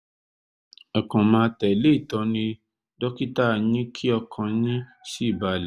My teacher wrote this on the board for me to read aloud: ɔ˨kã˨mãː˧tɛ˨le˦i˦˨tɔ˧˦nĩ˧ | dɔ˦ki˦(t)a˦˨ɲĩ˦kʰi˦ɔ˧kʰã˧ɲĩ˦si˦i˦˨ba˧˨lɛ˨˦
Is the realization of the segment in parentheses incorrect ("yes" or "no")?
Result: no